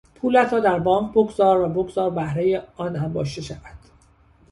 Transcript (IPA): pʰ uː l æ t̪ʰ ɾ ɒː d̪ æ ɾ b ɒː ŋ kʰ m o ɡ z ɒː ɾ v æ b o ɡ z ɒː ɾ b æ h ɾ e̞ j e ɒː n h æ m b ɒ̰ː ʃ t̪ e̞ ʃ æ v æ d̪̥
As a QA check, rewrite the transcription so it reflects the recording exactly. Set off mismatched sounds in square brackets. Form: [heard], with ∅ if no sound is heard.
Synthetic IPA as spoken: pʰ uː l æ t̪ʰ ɾ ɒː d̪ æ ɾ b ɒː ŋ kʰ [b] o ɡ z ɒː ɾ v æ b o ɡ z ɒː ɾ b æ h ɾ e̞ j e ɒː n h æ m b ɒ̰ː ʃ t̪ e̞ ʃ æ v æ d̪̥